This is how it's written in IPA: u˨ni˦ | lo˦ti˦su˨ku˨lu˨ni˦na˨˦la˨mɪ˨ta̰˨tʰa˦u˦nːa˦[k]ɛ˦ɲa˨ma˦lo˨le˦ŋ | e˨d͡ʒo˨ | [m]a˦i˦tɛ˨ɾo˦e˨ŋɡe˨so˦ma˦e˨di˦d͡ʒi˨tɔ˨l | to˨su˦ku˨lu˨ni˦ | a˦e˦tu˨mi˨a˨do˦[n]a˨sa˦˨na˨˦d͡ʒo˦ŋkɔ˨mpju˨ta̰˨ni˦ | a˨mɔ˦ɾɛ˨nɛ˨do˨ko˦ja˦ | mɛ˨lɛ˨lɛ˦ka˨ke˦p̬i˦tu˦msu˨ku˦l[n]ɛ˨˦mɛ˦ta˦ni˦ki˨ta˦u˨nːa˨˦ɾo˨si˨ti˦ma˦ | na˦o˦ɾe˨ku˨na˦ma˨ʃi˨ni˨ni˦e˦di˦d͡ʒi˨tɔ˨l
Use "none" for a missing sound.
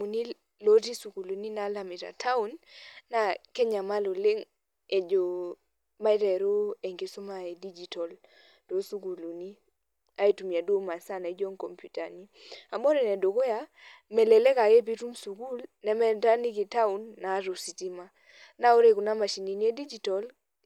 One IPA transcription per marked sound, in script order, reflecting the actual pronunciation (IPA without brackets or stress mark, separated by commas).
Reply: k, m, m, n